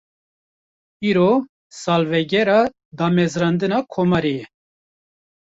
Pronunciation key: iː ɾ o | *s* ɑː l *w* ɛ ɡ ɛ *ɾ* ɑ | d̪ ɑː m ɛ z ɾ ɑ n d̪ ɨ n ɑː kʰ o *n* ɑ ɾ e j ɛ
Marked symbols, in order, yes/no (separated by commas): yes, no, yes, no